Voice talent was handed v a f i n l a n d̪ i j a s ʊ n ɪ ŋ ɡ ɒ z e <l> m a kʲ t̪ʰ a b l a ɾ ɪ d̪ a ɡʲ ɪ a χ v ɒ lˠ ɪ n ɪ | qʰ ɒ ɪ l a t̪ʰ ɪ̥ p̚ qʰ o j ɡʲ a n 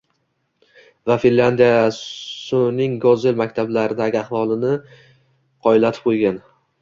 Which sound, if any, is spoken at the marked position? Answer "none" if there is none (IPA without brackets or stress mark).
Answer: l